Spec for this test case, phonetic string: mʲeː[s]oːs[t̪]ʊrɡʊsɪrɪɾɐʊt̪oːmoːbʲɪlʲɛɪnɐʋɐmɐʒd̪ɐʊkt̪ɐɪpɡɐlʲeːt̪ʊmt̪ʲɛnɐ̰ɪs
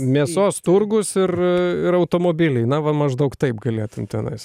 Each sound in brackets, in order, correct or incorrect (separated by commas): correct, correct